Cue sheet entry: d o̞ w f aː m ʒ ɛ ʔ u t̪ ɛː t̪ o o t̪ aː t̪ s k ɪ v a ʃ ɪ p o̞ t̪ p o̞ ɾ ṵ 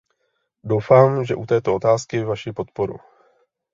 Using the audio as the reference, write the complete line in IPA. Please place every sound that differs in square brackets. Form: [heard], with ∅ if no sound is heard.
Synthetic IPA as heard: d o̞ w f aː m ʒ ɛ ʔ u t̪ ɛː t̪ o o t̪ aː [∅] s k ɪ v a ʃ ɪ p o̞ t̪ p o̞ ɾ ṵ